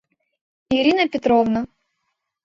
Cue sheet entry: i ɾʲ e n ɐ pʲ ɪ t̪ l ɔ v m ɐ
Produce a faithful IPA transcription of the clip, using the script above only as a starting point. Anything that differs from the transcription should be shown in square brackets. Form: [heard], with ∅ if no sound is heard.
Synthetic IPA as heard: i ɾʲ [i] n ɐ pʲ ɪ t̪ [ɾ] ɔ v [n] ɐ